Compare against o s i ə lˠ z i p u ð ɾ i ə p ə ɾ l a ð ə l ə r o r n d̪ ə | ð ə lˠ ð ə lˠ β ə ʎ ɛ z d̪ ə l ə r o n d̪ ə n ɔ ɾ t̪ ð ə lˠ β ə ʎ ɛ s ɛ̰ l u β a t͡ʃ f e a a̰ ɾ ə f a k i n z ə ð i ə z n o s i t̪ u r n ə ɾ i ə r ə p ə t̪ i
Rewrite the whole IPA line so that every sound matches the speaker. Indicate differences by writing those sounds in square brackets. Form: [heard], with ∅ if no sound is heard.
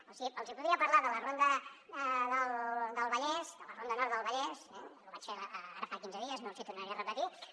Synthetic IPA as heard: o s i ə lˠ z i p u ð ɾ i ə p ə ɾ l a ð ə l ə r o [∅] n d̪ ə | ð ə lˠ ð ə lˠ β ə ʎ ɛ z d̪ ə l ə r o n d̪ ə n ɔ ɾ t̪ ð ə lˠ β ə ʎ ɛ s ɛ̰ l u β a t͡ʃ f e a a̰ ɾ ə f a k i n z ə ð i ə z n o s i t̪ u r n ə ɾ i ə r ə p ə t̪ i

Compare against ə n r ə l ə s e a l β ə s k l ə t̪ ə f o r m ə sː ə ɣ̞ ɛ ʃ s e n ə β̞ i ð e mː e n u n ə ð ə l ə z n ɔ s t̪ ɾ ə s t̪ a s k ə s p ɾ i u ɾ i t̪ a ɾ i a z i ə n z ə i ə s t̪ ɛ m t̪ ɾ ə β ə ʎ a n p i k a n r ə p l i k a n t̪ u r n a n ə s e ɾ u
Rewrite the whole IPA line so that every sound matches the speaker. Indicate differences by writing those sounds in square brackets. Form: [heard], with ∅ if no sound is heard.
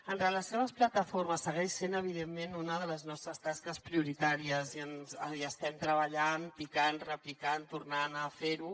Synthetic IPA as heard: ə n r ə l ə s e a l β ə s [p] l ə t̪ ə f o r m ə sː ə ɣ̞ ɛ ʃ s e n ə β̞ i ð e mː e n u n ə ð ə l ə z n ɔ s t̪ ɾ ə s t̪ a s k ə s p ɾ i u ɾ i t̪ a ɾ i [ə] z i ə n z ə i ə s t̪ ɛ m t̪ ɾ ə β ə ʎ a n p i k a n r ə p l i k a n t̪ u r n a n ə [f] e ɾ u

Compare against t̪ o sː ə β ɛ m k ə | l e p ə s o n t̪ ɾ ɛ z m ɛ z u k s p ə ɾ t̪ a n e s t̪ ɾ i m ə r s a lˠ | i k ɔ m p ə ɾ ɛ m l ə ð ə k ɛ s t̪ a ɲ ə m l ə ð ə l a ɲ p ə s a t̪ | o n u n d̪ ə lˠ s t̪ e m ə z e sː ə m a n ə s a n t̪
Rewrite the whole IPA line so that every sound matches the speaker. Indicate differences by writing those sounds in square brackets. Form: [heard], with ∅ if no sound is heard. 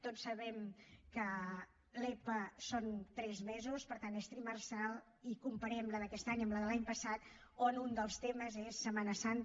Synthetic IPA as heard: t̪ o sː ə β ɛ m k ə | l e p ə s o n t̪ ɾ ɛ z m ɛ z u [∅] s p ə ɾ t̪ a n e s t̪ ɾ i m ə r s a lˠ | i k [u] m p ə ɾ ɛ m l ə ð ə k ɛ s t̪ a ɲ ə m l ə ð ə l a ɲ p ə s a t̪ | o n u n d̪ ə lˠ s t̪ e m ə z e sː ə m a n ə s a n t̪

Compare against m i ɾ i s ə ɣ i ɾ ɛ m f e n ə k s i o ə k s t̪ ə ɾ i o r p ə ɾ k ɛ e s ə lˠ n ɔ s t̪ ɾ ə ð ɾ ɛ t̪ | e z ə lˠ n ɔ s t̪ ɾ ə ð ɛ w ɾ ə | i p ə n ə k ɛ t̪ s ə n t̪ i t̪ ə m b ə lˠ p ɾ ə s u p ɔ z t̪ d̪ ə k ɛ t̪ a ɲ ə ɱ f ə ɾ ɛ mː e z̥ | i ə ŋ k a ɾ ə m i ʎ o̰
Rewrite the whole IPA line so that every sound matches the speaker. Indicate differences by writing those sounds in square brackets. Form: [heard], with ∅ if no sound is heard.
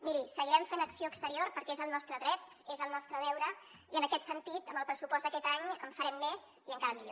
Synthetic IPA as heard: m i ɾ i s ə ɣ i ɾ ɛ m f e n ə k s i o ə k s t̪ ə ɾ i o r p ə ɾ k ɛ e [z] ə lˠ n ɔ s t̪ ɾ ə ð ɾ ɛ t̪ | e z ə lˠ n ɔ s t̪ ɾ ə ð ɛ w ɾ ə | i [∅] ə n ə k ɛ t̪ s ə n t̪ i t̪ ə m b ə lˠ p ɾ ə s u p ɔ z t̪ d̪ ə k ɛ t̪ a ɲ ə ɱ f ə ɾ ɛ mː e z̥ | i ə ŋ k a ɾ ə m i ʎ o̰

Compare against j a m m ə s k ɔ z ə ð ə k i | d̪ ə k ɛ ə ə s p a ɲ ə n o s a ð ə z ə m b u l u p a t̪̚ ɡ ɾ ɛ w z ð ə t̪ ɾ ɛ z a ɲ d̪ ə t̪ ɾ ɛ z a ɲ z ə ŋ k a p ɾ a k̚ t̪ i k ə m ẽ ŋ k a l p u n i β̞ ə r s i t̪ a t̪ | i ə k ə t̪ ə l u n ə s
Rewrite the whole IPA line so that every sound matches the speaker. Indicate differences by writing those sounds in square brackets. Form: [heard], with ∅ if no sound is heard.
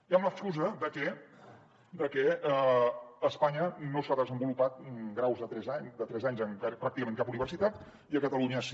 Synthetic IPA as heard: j a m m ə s k [u] z ə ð ə k [ɛ] | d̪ ə k ɛ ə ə s p a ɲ ə n o s a ð ə z ə m b u l u p a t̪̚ ɡ ɾ [a] w z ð ə t̪ ɾ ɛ z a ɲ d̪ ə t̪ ɾ ɛ z a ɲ z ə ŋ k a p ɾ a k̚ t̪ i k ə m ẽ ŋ k a [∅] p u n i β̞ ə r s i t̪ a t̪ | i ə k ə t̪ ə l u [ɲ] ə s

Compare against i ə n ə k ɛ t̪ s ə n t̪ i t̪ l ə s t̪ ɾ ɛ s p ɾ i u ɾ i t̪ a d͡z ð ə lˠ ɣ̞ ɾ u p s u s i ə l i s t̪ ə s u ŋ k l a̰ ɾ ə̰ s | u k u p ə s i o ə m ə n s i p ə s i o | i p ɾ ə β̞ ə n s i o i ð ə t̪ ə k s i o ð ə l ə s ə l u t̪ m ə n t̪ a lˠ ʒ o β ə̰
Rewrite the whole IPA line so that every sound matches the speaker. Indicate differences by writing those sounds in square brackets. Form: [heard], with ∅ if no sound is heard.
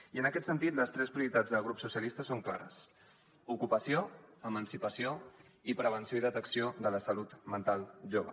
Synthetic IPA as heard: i ə n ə k ɛ t̪ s ə n t̪ i t̪ l ə s t̪ ɾ ɛ s p ɾ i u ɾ i t̪ a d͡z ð ə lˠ ɣ̞ ɾ u p s u s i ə l i s t̪ ə s [o] ŋ k l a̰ ɾ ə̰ s | u k u p ə s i o ə m ə n s i p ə s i o | i p ɾ ə β̞ ə n s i o i ð ə t̪ ə k s i o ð ə l ə s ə l u t̪ m ə n t̪ a lˠ ʒ o β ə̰

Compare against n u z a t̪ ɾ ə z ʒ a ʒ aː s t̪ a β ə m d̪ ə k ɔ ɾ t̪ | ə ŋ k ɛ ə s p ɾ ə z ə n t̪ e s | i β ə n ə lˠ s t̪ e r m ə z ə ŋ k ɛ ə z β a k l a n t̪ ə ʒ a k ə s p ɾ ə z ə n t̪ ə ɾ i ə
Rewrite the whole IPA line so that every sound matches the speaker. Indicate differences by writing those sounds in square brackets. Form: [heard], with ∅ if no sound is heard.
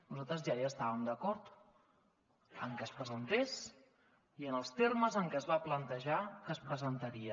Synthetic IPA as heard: n u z a t̪ ɾ ə z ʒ a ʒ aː s t̪ a β ə m d̪ ə k ɔ ɾ t̪ | ə ŋ k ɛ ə s p ɾ ə z ə n t̪ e s | i [∅] ə n ə lˠ s t̪ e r m ə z ə ŋ k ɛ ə z β a [p] l [ə] n t̪ ə ʒ a k ə s p ɾ ə z ə n t̪ ə ɾ i ə

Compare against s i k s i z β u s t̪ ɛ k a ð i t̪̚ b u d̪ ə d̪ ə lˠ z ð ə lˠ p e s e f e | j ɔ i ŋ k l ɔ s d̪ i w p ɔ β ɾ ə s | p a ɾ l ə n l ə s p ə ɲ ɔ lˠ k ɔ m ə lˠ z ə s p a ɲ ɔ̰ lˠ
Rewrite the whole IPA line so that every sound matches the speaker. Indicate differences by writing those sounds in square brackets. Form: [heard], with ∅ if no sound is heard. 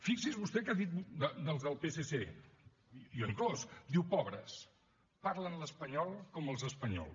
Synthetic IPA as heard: [f] i k s i z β u s t̪ ɛ k a ð i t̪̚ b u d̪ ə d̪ ə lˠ z ð ə lˠ p e s e [s] e | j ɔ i ŋ k l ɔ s d̪ i w p ɔ β ɾ ə s | p a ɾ l ə n l ə s p ə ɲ ɔ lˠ k ɔ m ə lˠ z ə s p [ə] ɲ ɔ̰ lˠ

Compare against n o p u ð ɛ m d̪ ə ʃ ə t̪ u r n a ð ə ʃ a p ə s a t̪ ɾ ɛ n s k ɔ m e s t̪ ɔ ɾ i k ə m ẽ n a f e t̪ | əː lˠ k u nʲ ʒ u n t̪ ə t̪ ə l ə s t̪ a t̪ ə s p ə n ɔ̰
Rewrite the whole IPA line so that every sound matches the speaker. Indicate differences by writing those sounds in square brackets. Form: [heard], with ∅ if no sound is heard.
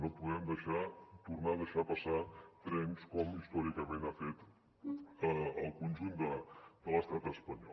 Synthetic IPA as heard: n o p u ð ɛ m d̪ ə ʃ [a] t̪ u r n a ð ə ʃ a p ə s a t̪ ɾ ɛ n s k ɔ m [i] s t̪ ɔ ɾ i k ə m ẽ n a f e t̪ | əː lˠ k u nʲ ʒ u n [d̪] ə [d̪] ə l ə s t̪ a t̪ ə s p ə [ɲ] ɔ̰

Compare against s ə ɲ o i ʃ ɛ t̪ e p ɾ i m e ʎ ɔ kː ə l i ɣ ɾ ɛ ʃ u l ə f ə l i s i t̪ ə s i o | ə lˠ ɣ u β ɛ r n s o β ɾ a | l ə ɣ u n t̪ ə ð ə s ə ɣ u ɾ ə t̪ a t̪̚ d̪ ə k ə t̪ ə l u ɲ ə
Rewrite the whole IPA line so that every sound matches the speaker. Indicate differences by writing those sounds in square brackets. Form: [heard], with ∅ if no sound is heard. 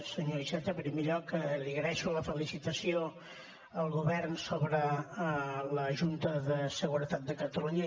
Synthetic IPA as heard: s ə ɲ o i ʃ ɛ t̪ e p ɾ i m e ʎ ɔ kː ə l i ɣ ɾ ɛ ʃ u l ə f ə l i s i t̪ ə s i o | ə lˠ ɣ u β ɛ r n s o β ɾ [ə] | l ə [ʒ] u n t̪ ə ð ə s ə ɣ u ɾ ə t̪ a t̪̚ d̪ ə k ə t̪ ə l u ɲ ə

